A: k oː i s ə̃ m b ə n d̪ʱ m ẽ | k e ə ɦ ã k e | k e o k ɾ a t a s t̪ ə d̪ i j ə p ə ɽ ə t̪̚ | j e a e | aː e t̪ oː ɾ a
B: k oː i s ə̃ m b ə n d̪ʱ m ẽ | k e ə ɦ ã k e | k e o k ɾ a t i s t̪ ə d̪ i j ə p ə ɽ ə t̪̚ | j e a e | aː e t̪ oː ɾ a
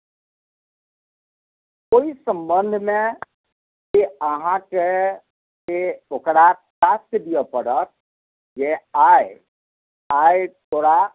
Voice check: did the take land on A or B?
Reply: A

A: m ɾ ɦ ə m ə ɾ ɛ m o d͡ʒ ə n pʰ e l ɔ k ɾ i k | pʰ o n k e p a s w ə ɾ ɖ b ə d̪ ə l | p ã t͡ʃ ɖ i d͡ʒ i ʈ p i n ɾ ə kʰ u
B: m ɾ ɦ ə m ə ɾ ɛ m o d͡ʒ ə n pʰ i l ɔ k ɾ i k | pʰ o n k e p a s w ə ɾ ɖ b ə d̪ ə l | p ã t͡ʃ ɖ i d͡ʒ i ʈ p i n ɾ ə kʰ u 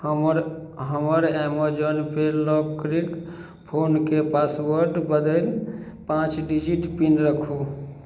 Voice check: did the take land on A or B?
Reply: A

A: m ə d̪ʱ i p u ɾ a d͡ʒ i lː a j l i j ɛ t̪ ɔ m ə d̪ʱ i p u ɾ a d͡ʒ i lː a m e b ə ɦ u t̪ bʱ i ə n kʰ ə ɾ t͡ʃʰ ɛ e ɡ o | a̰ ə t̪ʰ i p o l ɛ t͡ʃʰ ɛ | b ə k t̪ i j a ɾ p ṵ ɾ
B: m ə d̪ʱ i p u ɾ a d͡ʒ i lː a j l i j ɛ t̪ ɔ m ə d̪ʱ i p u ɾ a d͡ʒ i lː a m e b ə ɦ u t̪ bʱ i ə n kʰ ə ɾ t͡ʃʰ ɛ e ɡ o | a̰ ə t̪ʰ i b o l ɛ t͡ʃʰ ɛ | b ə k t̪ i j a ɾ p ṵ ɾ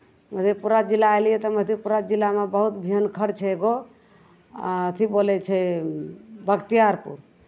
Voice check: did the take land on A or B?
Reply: B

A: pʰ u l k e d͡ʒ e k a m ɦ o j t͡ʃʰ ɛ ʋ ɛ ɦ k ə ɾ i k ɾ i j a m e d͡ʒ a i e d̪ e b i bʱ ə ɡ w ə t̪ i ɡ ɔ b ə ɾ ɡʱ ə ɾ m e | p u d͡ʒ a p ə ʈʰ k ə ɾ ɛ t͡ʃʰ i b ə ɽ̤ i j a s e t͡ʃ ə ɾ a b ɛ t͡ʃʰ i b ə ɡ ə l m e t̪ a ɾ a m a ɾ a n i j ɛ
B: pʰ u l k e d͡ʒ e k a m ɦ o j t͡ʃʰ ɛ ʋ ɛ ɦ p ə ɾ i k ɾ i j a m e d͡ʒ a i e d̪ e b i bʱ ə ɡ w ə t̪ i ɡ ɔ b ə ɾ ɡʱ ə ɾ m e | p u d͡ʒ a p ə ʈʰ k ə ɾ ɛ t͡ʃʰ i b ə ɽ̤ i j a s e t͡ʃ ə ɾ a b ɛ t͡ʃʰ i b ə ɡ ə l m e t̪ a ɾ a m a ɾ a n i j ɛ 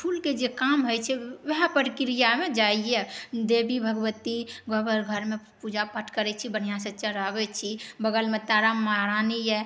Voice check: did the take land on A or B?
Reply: B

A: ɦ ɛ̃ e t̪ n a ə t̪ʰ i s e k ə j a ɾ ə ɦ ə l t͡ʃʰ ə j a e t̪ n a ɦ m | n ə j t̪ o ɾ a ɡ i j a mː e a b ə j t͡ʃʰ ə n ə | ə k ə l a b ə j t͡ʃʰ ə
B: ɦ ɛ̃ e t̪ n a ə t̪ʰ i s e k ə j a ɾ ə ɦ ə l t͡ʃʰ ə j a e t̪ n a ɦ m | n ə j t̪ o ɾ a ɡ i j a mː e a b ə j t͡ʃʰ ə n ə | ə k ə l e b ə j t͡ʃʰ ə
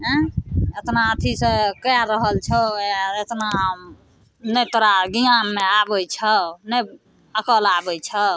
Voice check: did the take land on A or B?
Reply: A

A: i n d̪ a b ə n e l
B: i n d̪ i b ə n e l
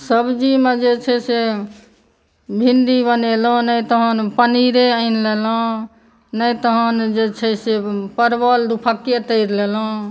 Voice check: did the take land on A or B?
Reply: B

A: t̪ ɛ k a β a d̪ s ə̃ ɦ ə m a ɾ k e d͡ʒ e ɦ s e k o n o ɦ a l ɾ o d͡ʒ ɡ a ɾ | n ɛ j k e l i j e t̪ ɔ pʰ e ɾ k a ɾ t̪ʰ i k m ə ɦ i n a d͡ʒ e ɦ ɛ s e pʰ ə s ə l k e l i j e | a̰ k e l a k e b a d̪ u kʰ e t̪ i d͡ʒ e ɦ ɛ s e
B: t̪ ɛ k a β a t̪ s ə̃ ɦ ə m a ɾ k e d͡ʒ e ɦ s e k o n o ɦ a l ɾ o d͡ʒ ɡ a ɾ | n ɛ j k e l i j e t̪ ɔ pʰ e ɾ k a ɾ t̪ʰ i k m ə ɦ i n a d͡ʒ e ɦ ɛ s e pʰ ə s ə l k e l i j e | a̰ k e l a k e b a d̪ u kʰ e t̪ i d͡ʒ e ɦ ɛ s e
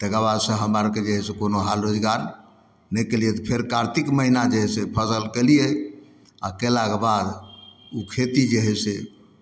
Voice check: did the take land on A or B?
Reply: A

